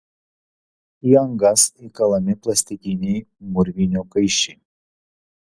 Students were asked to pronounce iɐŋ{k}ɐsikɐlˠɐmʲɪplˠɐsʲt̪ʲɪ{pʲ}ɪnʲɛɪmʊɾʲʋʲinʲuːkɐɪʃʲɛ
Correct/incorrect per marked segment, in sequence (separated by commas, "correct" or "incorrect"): incorrect, incorrect